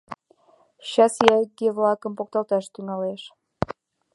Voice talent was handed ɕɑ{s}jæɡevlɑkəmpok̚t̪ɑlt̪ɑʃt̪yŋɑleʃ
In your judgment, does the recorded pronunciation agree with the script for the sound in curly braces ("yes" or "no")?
yes